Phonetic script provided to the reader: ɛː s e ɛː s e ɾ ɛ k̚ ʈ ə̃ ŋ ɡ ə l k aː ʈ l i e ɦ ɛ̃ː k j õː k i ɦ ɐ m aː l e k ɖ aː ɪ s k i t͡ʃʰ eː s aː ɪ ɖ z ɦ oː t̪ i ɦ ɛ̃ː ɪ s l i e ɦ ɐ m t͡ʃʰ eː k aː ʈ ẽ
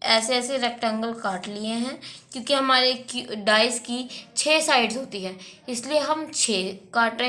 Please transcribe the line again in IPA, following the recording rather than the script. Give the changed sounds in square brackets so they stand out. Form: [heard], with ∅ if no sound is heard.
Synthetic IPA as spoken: ɛː s e ɛː s e ɾ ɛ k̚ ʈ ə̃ ŋ ɡ ə l k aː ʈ l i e ɦ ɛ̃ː k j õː k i ɦ ɐ m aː [ɾ] e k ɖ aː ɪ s k i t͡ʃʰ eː s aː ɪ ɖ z ɦ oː t̪ i ɦ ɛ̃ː ɪ s l i e ɦ ɐ m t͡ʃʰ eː k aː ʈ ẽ